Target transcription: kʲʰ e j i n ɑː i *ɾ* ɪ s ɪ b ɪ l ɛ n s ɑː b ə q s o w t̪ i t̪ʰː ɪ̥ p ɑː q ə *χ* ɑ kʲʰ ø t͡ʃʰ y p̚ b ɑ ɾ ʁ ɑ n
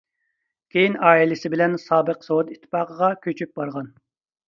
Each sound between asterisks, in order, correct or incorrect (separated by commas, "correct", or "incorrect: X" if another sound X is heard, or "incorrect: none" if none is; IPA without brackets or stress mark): incorrect: l, incorrect: ʁ